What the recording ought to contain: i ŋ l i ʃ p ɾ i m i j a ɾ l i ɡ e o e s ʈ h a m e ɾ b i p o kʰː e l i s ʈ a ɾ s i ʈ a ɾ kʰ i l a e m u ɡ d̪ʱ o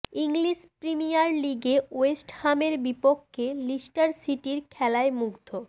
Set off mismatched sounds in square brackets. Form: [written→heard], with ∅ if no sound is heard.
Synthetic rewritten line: i ŋ l i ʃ p ɾ i m i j a ɾ l i ɡ e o e s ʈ h a m e ɾ b i p o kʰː e l i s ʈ a ɾ s i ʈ [a→i] ɾ kʰ [i→ɛ] l a e m u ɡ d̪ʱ o